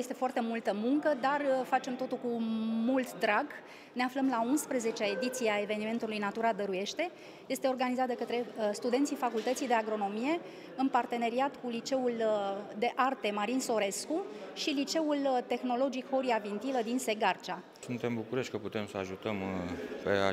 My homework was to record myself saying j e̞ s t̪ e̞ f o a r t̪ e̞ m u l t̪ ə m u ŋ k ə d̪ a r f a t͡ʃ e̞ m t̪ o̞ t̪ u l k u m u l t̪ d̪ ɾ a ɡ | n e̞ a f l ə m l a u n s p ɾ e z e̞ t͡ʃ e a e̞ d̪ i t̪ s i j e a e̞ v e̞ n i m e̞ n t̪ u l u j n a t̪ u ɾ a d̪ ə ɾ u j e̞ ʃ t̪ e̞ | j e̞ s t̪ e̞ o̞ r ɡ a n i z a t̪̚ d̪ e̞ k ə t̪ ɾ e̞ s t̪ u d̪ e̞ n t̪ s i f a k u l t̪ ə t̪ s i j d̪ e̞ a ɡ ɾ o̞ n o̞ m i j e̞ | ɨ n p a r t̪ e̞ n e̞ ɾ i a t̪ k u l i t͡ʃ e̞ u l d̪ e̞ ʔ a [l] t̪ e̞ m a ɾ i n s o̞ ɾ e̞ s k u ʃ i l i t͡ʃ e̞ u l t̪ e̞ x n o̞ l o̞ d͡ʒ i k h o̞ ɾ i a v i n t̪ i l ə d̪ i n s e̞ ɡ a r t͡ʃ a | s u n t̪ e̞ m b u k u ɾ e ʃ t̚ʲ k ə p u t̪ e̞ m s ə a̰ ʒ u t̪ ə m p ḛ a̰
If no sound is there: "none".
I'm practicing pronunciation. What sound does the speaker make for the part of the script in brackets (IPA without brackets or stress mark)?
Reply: r